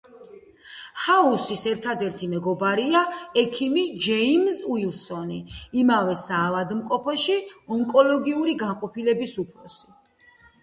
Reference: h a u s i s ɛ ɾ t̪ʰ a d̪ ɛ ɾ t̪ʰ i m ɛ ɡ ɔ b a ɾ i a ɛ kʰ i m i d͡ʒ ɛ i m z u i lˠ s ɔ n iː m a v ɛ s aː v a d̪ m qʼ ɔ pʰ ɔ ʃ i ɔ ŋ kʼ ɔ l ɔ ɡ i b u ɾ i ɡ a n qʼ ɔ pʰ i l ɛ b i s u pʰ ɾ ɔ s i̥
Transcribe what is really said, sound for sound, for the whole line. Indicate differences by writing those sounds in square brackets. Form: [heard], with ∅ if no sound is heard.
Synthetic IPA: h a u s i s ɛ ɾ t̪ʰ a d̪ ɛ ɾ t̪ʰ i m ɛ ɡ ɔ b a ɾ i a ɛ kʰ i m i d͡ʒ ɛ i m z u i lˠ s ɔ n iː m a v ɛ s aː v a d̪ m qʼ ɔ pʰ ɔ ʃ i ɔ ŋ kʼ ɔ l ɔ ɡ i [∅] u ɾ i ɡ a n qʼ ɔ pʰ i l ɛ b i s u pʰ ɾ ɔ s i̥